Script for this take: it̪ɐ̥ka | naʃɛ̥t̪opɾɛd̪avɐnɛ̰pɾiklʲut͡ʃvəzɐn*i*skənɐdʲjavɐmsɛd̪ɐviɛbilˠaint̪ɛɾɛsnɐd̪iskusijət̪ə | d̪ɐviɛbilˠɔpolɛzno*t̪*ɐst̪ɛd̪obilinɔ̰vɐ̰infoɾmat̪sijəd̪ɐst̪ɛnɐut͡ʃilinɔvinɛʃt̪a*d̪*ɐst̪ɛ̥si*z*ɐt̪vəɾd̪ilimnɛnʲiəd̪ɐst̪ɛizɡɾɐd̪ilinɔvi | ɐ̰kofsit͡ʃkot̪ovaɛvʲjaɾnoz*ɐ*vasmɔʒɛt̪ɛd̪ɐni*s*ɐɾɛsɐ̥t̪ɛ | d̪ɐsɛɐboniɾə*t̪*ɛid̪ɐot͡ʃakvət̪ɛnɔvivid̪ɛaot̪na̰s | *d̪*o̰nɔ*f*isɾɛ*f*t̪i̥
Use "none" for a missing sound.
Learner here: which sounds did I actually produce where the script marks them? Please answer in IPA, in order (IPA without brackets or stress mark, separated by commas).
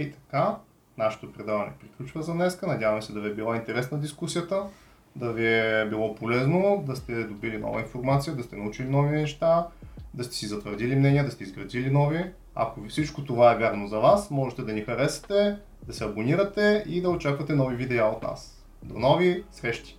ɛ, d̪, d̪, z, ɐ, x, t̪, d̪, v, ʃ